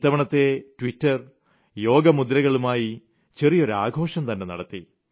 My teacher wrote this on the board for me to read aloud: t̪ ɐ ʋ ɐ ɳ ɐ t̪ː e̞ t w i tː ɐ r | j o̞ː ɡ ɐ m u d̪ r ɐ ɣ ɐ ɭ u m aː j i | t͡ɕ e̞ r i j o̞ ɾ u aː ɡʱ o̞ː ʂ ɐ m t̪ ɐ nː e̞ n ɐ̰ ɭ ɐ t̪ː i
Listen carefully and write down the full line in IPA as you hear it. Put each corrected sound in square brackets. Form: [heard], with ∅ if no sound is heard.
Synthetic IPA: t̪ ɐ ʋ ɐ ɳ ɐ t̪ː e̞ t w i tː ɐ r | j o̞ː ɡ ɐ m u d̪ [ɾ] ɐ ɣ ɐ ɭ u m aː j i | t͡ɕ e̞ r i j o̞ ɾ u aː ɡʱ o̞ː ʂ ɐ m t̪ ɐ nː e̞ n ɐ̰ [ɽ] ɐ t̪ː i